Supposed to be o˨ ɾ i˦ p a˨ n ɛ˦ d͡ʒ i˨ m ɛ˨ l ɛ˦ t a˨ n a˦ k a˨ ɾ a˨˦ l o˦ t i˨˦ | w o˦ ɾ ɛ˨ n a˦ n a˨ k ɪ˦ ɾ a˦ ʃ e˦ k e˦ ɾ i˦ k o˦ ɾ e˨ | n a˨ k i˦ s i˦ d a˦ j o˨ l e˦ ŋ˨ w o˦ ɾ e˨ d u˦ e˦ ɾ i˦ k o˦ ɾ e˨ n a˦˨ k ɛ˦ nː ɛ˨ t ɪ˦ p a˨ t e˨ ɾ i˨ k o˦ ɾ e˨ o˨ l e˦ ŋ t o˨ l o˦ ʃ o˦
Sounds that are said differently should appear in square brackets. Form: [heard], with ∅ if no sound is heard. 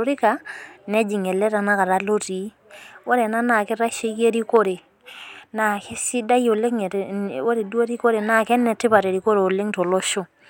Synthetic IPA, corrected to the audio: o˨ ɾ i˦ [k] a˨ n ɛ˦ d͡ʒ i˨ [ŋ] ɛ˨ l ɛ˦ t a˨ n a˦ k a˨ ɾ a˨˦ l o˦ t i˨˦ | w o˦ ɾ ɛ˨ n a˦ n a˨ k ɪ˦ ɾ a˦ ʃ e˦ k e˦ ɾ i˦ k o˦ ɾ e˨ | n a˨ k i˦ s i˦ d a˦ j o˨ l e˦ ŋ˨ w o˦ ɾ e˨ d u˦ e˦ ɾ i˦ k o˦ ɾ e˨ n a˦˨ k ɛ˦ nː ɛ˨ t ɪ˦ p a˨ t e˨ ɾ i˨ k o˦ ɾ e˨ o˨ l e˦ ŋ t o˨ l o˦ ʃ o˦